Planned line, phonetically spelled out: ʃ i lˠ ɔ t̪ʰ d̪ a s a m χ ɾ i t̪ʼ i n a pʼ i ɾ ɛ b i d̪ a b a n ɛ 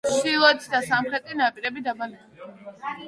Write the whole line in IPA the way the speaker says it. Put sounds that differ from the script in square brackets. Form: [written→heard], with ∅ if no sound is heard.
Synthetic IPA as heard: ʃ i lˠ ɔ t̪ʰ d̪ a s a m χ ɾ [i→ɛ] t̪ʼ i n a pʼ i ɾ ɛ b i d̪ a b a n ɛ